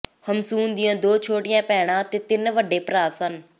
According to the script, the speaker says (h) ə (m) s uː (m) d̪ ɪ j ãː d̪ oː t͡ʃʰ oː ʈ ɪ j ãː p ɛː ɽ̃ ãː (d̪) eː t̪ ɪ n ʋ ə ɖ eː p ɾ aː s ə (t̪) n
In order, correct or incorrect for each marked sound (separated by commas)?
correct, correct, incorrect, incorrect, incorrect